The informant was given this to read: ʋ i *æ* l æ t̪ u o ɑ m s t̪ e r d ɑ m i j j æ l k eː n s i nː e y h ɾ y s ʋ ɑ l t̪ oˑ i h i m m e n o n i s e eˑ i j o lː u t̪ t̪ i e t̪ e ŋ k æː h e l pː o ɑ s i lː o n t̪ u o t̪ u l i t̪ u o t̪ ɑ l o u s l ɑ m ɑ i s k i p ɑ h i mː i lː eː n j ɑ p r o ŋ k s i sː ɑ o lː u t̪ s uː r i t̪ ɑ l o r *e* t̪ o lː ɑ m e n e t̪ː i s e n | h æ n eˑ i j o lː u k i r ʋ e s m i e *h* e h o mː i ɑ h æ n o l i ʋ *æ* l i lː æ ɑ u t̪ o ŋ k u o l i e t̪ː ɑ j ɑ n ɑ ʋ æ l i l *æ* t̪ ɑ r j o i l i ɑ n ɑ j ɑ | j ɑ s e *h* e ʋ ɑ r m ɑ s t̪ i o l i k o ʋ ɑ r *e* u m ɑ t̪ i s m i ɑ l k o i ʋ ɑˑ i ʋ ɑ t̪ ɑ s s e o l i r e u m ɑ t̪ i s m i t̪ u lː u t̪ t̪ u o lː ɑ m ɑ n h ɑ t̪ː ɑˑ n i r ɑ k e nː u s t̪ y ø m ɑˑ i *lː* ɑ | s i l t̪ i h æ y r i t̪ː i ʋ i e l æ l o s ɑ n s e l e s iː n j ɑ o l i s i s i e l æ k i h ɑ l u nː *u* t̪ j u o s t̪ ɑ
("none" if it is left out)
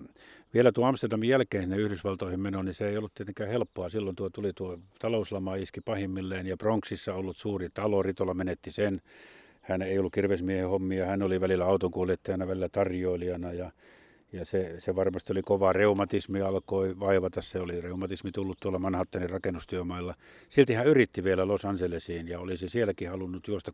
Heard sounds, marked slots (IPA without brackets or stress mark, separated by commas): e, i, h, æ, æ, s, e, lː, u